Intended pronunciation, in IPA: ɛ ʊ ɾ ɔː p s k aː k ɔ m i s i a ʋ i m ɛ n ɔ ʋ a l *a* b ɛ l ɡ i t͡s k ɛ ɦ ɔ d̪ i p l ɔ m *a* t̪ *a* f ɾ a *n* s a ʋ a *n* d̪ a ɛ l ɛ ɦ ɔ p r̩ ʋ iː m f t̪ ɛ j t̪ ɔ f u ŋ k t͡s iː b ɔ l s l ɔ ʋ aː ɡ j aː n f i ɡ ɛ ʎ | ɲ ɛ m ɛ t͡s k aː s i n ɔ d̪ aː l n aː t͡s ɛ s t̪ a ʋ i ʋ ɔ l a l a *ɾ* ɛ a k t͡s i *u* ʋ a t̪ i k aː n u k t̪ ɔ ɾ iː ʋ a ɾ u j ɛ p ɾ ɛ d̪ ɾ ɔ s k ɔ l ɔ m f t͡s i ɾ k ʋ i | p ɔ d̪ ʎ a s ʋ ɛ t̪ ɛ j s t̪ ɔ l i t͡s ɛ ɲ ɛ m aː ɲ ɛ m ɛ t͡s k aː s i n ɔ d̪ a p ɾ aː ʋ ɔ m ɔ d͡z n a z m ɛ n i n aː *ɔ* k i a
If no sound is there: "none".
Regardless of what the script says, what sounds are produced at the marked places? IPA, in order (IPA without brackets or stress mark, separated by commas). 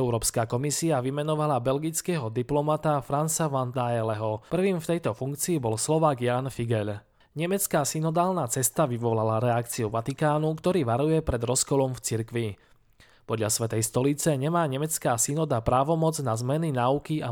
a, a, a, n, n, ɾ, u, u